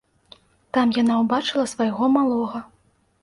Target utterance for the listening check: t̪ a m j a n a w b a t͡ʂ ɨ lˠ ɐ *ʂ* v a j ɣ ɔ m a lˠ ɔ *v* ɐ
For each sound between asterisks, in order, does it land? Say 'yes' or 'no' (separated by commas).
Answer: no, no